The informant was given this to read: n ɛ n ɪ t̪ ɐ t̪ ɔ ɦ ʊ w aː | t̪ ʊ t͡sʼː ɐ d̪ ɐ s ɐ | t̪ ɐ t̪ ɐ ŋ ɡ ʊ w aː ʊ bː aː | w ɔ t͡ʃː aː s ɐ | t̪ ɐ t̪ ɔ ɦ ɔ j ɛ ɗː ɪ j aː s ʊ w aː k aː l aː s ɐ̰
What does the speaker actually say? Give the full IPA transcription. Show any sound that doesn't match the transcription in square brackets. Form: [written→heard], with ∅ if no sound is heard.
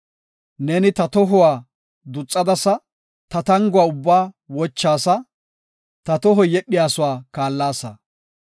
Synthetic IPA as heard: n ɛ n ɪ t̪ ɐ t̪ ɔ ɦ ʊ w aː | [t̪→d̪] ʊ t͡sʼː ɐ d̪ ɐ s ɐ | t̪ ɐ t̪ ɐ ŋ ɡ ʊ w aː ʊ bː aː | w ɔ t͡ʃː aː s ɐ | t̪ ɐ t̪ ɔ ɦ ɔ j ɛ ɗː ɪ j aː s ʊ w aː k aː [l→lː] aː s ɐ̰